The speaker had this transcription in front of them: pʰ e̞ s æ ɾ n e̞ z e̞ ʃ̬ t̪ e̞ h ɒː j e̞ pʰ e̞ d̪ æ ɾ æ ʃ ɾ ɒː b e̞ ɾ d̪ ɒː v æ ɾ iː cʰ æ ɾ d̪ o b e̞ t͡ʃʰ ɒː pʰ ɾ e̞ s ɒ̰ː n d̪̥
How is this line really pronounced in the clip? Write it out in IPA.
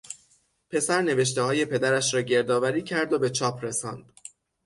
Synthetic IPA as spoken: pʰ e̞ s æ ɾ n e̞ v e̞ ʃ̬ t̪ e̞ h ɒː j e̞ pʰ e̞ d̪ æ ɾ æ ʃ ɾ ɒː ɟ e̞ ɾ d̪ ɒː v æ ɾ iː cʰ æ ɾ d̪ o b e̞ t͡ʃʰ ɒː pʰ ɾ e̞ s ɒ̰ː n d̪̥